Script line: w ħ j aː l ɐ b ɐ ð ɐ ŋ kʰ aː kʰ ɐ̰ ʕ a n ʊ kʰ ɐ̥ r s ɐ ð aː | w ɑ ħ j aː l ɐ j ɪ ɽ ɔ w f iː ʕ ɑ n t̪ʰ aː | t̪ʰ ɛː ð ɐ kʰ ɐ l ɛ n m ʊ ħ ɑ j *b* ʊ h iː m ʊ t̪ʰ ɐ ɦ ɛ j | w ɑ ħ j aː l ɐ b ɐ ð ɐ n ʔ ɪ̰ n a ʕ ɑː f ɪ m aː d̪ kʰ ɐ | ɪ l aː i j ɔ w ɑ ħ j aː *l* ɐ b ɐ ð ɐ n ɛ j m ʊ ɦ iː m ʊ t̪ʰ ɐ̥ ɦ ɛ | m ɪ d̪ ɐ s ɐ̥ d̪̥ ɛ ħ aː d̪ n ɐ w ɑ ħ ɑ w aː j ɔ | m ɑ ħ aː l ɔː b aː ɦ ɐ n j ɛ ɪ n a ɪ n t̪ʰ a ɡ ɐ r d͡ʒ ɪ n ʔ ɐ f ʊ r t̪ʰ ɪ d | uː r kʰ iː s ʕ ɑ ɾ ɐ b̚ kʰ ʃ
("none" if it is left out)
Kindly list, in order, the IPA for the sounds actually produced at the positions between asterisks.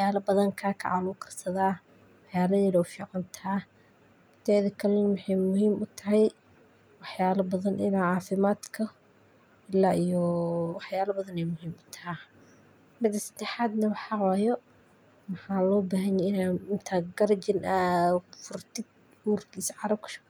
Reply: m, l

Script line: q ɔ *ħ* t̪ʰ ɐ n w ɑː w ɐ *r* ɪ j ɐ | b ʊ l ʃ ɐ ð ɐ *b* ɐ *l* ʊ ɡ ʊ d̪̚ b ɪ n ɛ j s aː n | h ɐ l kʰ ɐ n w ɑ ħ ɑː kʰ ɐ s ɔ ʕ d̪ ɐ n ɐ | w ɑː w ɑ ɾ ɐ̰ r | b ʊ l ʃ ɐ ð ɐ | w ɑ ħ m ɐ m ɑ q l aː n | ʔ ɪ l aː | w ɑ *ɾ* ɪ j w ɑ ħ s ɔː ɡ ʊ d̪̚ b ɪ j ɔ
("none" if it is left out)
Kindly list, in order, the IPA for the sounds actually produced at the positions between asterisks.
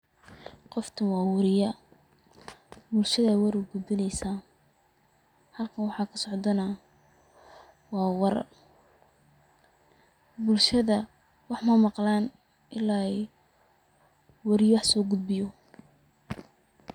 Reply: f, ɾ, w, ɾ, ɾ

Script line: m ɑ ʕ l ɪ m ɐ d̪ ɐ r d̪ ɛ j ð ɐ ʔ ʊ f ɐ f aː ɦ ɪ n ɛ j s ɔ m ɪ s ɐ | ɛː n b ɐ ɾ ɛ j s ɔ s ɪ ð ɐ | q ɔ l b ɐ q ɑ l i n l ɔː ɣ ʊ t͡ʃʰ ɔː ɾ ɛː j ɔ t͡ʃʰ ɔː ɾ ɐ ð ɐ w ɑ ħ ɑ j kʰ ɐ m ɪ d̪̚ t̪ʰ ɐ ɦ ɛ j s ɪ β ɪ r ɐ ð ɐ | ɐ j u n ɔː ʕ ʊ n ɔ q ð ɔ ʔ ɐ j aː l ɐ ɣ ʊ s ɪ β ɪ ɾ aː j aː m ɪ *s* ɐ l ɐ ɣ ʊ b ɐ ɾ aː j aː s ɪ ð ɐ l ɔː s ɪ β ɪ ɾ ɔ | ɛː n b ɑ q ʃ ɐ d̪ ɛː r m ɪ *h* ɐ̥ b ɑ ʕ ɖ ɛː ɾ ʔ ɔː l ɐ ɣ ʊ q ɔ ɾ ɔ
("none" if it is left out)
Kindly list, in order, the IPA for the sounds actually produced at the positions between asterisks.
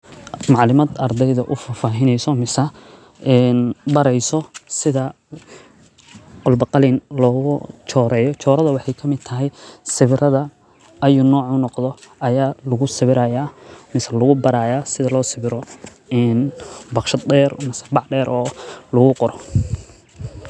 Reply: s, s

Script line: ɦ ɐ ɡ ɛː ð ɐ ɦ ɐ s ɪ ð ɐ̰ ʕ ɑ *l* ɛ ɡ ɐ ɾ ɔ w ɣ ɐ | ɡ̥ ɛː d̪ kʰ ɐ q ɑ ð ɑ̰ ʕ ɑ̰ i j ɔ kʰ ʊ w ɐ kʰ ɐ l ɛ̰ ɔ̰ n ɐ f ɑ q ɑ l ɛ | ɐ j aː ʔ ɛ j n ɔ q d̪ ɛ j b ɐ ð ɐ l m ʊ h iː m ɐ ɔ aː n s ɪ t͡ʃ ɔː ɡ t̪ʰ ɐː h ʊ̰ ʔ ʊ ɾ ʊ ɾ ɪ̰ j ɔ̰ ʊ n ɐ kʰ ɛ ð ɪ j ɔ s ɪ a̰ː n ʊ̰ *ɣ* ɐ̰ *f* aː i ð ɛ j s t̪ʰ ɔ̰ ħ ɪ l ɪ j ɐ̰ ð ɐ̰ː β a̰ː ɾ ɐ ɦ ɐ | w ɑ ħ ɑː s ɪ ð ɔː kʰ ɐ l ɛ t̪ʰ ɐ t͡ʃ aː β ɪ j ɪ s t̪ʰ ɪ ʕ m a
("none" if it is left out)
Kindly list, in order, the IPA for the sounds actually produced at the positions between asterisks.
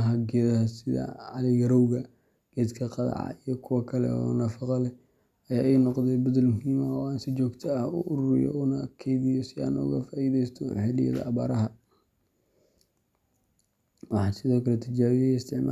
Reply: l, ɣ, f

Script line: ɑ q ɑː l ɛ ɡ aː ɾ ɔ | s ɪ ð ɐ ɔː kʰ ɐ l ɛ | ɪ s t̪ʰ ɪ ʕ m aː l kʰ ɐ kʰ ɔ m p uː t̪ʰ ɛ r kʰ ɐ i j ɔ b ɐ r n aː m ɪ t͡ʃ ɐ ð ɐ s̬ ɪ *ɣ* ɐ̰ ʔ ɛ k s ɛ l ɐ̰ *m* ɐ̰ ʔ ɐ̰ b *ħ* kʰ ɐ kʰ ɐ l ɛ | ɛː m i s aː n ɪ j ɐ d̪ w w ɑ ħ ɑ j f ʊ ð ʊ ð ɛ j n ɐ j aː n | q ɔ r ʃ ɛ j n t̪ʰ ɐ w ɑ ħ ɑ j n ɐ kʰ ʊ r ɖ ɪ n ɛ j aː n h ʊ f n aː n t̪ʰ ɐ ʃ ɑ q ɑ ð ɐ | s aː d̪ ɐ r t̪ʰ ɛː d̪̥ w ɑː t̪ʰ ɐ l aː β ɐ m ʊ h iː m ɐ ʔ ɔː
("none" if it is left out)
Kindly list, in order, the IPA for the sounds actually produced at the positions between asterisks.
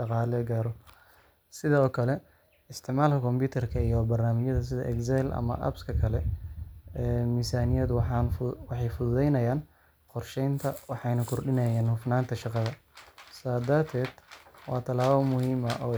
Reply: ð, m, s

